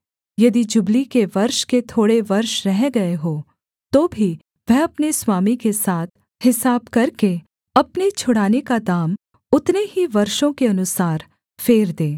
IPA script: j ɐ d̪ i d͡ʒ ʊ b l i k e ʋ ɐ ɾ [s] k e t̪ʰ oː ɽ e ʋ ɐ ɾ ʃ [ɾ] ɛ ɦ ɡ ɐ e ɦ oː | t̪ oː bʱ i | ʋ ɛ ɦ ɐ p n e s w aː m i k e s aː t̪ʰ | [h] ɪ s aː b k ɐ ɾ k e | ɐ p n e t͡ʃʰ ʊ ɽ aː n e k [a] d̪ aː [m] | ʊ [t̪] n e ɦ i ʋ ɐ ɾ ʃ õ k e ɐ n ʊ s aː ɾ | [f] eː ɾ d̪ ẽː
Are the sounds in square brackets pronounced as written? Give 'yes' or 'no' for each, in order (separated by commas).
no, yes, yes, yes, yes, yes, yes